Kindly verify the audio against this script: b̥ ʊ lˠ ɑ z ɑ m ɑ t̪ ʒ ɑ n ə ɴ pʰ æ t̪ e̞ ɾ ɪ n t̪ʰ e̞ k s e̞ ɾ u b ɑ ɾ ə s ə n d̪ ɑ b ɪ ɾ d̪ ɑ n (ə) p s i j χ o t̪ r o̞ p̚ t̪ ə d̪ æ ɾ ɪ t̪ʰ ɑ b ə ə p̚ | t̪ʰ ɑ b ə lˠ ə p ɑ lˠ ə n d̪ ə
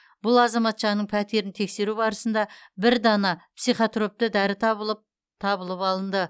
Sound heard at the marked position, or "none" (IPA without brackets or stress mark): ɑ